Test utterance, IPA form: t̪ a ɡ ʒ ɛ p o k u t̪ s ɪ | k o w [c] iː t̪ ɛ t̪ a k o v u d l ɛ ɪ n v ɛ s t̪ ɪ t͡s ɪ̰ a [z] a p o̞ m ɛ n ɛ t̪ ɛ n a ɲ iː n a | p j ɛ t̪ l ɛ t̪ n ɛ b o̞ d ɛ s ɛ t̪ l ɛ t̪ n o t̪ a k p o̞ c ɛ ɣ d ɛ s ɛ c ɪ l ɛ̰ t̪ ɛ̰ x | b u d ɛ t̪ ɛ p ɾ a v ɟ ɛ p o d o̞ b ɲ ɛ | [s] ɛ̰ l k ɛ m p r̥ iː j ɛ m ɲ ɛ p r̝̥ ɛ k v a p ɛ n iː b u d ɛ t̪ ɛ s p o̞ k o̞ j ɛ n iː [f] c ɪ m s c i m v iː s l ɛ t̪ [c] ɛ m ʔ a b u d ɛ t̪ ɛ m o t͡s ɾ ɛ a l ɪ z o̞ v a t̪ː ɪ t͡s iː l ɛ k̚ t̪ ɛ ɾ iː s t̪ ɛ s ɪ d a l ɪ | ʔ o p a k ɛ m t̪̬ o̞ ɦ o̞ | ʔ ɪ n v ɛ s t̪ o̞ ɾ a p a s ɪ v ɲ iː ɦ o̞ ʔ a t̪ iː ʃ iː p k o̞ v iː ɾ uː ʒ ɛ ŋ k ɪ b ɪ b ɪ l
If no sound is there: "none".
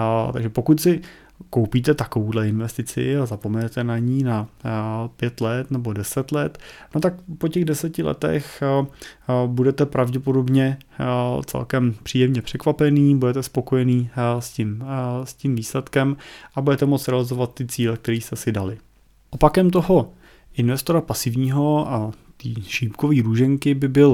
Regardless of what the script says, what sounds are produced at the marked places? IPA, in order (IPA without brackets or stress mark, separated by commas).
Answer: p, z, t͡s, s, k